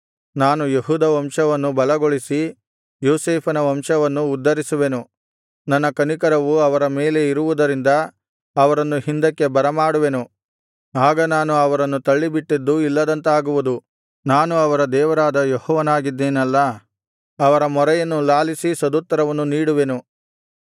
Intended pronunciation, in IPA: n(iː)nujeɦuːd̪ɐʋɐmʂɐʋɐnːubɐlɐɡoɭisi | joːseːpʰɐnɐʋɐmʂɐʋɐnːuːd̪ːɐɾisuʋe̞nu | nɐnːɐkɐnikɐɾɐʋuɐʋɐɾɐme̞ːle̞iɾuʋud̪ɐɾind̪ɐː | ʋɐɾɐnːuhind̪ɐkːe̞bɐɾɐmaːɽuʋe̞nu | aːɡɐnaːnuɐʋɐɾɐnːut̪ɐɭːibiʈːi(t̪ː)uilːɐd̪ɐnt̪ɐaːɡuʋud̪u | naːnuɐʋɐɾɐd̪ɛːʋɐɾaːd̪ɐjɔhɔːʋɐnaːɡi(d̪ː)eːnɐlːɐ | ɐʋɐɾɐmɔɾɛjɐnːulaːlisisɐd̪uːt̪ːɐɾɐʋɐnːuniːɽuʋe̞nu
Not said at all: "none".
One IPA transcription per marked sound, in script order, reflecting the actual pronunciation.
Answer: aː, d̪ː, d̪ː

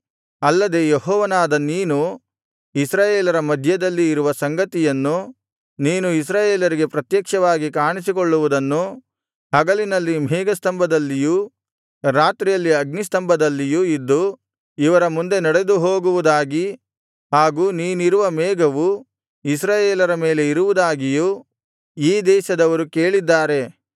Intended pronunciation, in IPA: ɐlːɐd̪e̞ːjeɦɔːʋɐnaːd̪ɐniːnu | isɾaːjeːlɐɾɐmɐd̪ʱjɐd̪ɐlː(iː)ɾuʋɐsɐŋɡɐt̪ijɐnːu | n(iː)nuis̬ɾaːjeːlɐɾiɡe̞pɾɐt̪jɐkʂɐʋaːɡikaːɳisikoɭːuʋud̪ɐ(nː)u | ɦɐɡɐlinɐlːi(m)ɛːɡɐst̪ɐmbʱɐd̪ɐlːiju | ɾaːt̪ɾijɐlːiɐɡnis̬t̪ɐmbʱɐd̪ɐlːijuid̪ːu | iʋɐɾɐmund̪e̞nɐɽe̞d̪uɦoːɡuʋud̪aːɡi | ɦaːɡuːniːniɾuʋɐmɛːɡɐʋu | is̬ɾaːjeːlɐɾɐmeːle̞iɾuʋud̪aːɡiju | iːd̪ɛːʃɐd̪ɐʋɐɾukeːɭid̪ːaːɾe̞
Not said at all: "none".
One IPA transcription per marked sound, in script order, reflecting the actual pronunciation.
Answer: iː, iː, nː, m

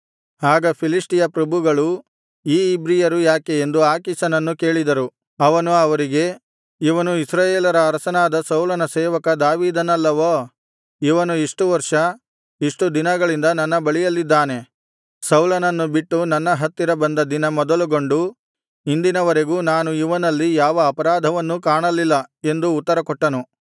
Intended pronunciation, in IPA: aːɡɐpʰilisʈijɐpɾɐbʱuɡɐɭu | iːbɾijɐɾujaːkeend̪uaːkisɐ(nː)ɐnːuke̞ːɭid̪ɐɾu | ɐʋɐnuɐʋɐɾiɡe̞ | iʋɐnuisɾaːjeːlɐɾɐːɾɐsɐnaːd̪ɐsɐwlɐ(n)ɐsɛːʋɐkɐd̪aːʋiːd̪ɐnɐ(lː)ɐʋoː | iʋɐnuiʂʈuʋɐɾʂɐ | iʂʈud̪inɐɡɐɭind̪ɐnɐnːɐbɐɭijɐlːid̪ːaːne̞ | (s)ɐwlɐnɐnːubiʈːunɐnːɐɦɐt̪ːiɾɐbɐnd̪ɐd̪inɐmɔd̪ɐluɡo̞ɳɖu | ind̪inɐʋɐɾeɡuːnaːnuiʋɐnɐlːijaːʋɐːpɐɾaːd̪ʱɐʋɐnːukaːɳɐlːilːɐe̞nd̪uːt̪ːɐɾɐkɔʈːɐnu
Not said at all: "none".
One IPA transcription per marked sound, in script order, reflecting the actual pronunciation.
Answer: n, n, lː, s

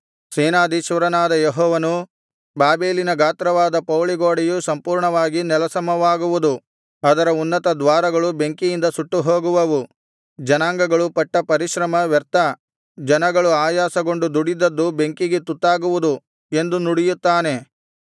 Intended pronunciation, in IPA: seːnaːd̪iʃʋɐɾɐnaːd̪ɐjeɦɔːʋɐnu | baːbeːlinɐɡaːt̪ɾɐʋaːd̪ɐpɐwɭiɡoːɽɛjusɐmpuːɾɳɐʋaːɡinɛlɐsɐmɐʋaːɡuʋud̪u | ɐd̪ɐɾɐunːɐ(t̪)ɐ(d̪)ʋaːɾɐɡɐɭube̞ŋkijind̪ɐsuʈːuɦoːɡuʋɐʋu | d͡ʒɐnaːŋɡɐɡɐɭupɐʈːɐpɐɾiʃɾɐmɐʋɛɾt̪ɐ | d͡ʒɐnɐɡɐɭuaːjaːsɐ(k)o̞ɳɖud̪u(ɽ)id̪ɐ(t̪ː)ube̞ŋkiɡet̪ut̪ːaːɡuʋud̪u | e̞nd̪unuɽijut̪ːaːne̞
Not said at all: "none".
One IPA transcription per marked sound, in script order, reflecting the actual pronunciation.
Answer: t̪, d̪, ɡ, ɽ, d̪ː

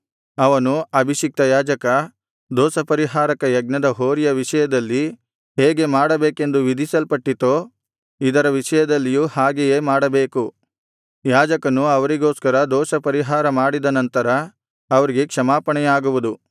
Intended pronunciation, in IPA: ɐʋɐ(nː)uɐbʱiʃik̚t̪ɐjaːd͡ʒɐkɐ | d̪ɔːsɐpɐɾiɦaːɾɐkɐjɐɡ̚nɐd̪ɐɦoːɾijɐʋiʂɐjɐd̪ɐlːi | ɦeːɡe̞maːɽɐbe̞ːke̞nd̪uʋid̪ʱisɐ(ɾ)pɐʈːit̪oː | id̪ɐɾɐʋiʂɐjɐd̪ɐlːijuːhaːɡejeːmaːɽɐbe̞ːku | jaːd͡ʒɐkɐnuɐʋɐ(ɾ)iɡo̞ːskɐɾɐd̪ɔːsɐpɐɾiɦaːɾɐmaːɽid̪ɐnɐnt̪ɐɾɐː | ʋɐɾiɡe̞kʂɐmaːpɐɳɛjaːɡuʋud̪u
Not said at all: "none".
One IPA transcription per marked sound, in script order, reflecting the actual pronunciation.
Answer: n, l, ɾ

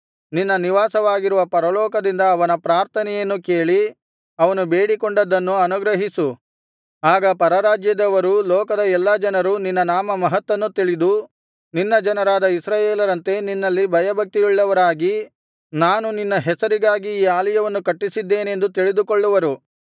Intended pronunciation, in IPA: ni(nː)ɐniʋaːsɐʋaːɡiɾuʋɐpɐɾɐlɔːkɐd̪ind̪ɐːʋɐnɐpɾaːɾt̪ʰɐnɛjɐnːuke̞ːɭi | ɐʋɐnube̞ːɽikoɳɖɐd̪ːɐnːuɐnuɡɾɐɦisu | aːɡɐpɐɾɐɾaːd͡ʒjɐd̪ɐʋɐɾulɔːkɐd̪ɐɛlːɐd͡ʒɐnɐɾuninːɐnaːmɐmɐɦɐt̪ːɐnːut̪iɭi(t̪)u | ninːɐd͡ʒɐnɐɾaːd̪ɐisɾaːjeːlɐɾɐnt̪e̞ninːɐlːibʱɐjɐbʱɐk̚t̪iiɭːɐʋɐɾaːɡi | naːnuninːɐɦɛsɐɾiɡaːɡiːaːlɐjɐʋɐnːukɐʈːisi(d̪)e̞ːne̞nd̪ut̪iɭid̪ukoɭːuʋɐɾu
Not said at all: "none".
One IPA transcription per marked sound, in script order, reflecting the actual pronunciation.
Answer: nː, d̪, d̪ː

